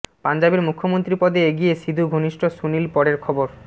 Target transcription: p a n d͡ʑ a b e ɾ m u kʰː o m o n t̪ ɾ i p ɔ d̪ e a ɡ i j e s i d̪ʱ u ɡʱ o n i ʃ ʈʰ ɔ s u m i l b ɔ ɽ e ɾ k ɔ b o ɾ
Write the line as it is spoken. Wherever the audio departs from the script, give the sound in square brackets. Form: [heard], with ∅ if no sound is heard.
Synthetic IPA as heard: p a n d͡ʑ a b e ɾ m u kʰː o m o n t̪ ɾ i p ɔ d̪ e [e] ɡ i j e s i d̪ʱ u ɡʱ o n i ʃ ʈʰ [o] s u [n] i l [p] ɔ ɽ e ɾ [kʰ] ɔ b o ɾ